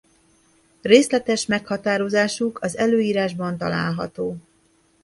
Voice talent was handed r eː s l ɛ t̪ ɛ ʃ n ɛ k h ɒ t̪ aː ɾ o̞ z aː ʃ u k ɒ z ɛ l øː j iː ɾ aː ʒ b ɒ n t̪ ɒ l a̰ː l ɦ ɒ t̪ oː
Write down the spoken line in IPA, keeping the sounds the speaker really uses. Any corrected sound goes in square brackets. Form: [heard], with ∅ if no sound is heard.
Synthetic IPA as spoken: r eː s l ɛ t̪ ɛ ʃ [m] ɛ k h ɒ t̪ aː ɾ o̞ z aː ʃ u k ɒ z ɛ l øː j iː ɾ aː ʒ b ɒ n t̪ ɒ l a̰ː l ɦ ɒ t̪ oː